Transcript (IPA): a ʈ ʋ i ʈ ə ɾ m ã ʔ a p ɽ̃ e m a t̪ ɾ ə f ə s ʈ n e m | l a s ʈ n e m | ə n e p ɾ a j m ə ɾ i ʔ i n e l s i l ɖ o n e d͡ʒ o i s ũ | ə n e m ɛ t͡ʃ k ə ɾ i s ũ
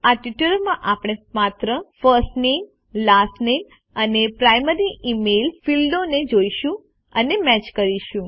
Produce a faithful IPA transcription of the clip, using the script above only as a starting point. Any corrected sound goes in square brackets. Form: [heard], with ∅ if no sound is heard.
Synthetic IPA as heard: a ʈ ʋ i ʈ ə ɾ m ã ʔ a p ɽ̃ e m a t̪ ɾ ə f ə s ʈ n e m | l a s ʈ n e m | ə n e p ɾ a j m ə ɾ i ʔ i [m] e l [f] i l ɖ o n e d͡ʒ o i [ʃ] ũ | ə n e m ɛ t͡ʃ k ə ɾ i [ʃ] ũ